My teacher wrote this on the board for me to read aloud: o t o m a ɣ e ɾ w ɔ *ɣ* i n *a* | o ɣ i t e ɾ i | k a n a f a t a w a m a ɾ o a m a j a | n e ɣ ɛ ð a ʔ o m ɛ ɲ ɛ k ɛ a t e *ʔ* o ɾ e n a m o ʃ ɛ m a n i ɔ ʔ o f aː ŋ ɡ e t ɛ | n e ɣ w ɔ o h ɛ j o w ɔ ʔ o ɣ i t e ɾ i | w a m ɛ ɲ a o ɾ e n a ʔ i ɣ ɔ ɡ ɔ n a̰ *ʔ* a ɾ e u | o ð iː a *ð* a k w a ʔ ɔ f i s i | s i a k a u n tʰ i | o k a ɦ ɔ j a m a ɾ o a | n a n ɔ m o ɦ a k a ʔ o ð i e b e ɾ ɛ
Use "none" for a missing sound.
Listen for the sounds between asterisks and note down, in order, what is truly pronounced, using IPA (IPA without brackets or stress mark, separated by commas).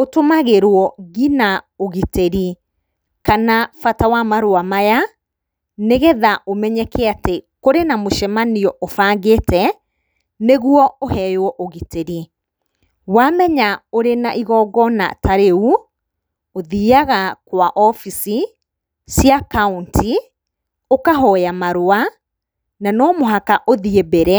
ɣ, a, k, t, ɣ